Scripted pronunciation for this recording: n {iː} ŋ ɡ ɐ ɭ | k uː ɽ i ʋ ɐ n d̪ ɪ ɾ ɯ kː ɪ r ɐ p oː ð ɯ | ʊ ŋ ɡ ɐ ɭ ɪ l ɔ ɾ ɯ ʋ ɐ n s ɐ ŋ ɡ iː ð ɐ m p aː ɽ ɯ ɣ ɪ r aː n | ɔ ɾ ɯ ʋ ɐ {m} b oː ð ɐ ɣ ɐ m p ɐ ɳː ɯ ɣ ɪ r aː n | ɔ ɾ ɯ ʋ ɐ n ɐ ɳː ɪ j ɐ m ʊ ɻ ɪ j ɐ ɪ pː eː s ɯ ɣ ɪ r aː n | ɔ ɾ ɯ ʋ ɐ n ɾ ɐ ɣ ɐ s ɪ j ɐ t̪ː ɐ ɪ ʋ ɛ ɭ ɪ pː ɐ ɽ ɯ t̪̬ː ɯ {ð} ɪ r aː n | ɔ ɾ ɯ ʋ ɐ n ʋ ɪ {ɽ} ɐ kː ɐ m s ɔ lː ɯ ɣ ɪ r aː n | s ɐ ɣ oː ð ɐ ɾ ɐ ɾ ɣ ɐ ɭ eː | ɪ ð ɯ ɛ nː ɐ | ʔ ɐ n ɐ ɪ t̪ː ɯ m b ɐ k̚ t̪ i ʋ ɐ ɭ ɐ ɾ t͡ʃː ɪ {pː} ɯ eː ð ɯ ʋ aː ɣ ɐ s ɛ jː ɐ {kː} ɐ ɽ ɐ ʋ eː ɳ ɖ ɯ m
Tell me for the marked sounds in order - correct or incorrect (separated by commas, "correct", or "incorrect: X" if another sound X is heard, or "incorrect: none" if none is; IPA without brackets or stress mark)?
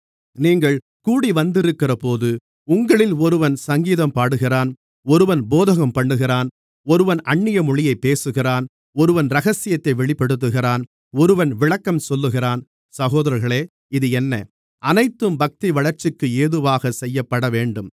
correct, incorrect: n, incorrect: ɣ, incorrect: ɭ, incorrect: kː, incorrect: pː